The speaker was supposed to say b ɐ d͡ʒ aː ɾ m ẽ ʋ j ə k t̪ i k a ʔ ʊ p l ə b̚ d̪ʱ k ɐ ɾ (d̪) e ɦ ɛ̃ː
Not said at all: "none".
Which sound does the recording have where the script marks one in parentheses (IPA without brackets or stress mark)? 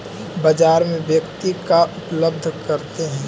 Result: t̪